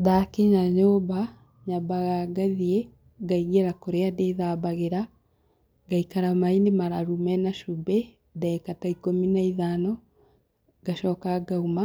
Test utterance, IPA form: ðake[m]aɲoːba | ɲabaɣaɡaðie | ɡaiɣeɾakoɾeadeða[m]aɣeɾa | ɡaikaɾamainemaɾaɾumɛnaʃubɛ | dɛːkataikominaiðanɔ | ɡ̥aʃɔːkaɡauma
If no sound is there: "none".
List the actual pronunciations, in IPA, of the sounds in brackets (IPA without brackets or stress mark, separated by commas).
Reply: ɲ, b